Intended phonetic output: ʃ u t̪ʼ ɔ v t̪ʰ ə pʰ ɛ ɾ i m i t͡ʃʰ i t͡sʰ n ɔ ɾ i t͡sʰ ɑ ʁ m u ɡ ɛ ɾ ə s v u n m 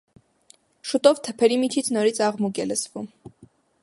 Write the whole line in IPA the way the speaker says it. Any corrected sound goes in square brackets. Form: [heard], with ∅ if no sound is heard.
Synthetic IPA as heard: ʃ u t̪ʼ ɔ v t̪ʰ ə pʰ ɛ ɾ i m i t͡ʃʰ i t͡sʰ n ɔ ɾ i t͡sʰ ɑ ʁ m u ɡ ɛ [l] ə s v u [∅] m